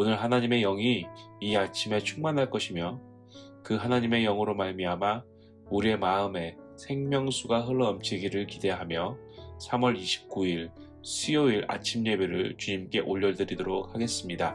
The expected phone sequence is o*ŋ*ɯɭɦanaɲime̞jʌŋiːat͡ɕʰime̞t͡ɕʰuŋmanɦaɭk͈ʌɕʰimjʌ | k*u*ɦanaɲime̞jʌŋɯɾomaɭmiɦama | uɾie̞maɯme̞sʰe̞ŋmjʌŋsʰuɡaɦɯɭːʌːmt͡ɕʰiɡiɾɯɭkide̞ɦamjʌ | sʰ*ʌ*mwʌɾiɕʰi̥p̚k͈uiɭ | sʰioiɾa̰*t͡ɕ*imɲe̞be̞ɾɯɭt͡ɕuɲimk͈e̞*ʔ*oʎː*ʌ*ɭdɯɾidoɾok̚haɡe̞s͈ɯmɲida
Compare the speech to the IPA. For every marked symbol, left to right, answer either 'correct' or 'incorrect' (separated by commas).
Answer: incorrect, incorrect, incorrect, incorrect, correct, correct